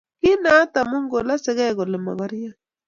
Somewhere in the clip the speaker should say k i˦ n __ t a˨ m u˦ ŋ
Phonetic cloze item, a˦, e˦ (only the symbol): a˦